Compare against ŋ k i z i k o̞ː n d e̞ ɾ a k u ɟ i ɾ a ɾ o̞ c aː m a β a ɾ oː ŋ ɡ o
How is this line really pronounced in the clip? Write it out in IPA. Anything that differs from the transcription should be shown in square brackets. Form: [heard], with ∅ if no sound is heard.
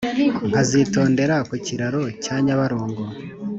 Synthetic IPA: ŋ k [a] z i [t] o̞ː n d e̞ ɾ a k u [c] i ɾ a ɾ o̞ c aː [ɲ] a β a ɾ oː ŋ ɡ o